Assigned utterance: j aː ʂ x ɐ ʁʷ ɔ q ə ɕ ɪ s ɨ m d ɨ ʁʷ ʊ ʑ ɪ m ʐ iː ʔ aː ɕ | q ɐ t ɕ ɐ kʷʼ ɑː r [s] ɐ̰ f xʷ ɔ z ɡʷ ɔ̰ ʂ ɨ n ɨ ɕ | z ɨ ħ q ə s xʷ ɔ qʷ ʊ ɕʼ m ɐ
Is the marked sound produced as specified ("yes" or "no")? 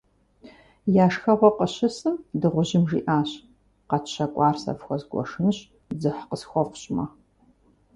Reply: yes